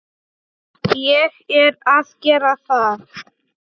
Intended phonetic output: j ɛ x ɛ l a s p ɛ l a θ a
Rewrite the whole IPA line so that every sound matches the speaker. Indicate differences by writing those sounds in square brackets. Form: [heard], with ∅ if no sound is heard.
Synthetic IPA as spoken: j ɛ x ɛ [ɾ] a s [k] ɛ [ɾ] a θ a